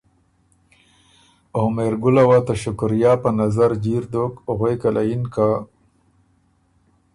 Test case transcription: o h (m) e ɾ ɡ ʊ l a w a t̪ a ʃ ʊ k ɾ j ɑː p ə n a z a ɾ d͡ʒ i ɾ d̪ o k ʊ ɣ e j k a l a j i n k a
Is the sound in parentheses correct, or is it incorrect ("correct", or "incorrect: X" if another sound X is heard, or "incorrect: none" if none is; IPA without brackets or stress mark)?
correct